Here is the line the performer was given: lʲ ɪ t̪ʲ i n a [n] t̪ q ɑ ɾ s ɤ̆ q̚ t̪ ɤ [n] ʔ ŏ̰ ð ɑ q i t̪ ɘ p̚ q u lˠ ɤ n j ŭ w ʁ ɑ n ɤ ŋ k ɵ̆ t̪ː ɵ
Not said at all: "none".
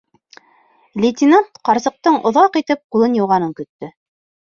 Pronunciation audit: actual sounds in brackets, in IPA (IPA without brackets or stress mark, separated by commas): n, ɴ